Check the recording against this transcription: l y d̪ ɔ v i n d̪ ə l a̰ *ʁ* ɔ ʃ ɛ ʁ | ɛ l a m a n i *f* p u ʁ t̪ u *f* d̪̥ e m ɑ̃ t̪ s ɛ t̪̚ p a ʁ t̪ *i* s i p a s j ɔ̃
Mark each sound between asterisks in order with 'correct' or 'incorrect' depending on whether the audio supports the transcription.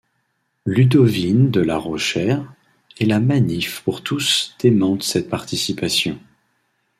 correct, correct, incorrect: s, correct

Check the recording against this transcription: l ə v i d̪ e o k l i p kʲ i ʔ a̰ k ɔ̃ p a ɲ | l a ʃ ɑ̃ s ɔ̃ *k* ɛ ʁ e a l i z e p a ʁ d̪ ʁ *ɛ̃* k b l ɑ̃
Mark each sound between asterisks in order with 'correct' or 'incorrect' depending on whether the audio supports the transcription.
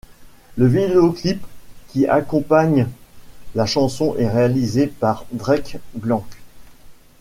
incorrect: ʔ, incorrect: ɛ

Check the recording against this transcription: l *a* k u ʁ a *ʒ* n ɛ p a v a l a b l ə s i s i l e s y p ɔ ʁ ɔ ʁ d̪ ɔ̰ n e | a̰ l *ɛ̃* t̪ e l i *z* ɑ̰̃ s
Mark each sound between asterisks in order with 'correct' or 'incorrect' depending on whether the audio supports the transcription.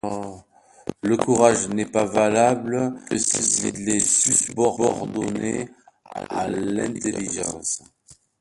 incorrect: ə, correct, correct, incorrect: ʒ

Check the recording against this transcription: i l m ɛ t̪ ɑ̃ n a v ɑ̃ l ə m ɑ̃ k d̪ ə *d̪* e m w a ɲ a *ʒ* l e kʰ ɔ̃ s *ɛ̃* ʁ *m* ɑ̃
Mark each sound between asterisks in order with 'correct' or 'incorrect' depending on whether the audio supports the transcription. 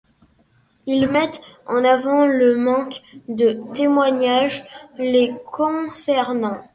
incorrect: t̪, correct, incorrect: ɛ, incorrect: n

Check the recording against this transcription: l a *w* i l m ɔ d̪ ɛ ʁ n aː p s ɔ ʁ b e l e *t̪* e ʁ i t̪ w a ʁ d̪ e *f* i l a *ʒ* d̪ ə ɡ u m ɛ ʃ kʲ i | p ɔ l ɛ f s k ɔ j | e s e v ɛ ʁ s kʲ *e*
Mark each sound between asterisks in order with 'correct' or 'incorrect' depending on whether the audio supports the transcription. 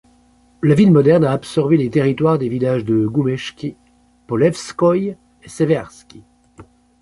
incorrect: v, correct, incorrect: v, correct, incorrect: i

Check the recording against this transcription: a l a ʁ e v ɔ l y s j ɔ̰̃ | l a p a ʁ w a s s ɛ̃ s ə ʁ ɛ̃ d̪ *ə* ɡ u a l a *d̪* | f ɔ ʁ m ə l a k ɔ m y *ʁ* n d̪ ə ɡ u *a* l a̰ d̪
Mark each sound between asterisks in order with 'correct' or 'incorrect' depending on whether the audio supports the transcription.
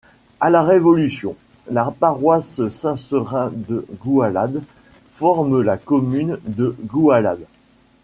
correct, correct, incorrect: none, correct

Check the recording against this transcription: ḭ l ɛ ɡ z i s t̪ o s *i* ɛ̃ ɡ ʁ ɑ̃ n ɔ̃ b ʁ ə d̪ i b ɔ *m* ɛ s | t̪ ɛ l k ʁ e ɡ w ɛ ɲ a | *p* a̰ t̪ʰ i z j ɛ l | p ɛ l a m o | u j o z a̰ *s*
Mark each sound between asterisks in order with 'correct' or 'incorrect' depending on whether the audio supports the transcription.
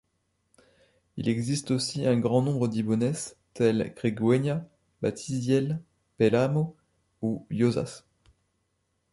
correct, incorrect: n, incorrect: b, correct

